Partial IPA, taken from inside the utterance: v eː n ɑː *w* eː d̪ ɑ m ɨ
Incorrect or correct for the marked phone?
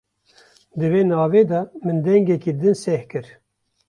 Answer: incorrect: v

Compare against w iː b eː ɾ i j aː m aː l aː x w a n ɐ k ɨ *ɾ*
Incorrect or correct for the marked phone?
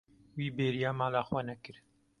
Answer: correct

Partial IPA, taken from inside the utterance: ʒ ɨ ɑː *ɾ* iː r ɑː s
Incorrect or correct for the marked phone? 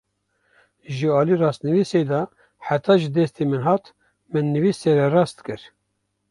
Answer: incorrect: l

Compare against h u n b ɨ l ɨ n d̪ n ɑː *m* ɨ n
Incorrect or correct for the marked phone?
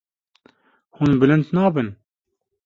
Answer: incorrect: b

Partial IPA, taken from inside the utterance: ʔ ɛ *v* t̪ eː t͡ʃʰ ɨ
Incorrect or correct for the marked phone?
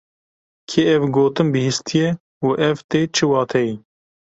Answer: correct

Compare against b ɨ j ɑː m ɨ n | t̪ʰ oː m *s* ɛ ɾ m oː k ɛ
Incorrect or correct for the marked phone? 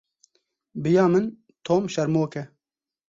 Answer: incorrect: ʃ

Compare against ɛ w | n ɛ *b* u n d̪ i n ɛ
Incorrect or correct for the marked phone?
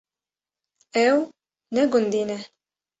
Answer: incorrect: ɡ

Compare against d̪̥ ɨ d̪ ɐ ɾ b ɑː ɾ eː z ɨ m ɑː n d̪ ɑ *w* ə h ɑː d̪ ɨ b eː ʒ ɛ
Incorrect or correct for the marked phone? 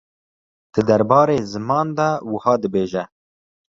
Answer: correct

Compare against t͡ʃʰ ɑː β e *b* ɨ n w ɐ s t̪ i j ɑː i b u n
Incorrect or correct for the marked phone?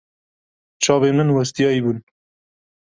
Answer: incorrect: m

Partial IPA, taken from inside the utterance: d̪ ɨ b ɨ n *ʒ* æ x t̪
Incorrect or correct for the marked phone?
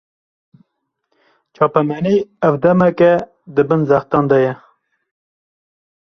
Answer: incorrect: z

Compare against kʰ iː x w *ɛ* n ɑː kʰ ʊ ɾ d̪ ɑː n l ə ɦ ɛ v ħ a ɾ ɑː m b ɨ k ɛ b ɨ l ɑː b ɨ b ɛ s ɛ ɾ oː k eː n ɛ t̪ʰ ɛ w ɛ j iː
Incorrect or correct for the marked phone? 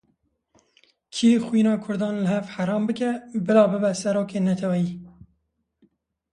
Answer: incorrect: i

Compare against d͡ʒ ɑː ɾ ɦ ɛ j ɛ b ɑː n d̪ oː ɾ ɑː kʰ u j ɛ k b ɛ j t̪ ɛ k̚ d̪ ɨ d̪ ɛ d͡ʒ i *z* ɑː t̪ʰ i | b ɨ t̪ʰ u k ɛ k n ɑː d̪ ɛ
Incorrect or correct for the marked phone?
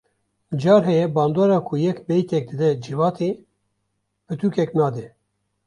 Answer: incorrect: v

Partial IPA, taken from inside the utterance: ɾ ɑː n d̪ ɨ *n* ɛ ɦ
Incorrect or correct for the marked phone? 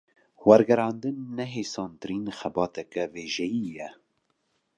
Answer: incorrect: nː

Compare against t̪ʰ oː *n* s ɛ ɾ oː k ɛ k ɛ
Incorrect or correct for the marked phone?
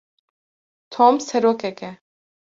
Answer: incorrect: m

